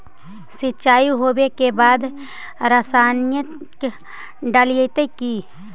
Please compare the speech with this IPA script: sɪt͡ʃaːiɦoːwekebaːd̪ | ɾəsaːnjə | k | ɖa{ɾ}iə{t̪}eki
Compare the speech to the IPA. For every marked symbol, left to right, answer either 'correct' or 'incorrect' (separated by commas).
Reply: incorrect, correct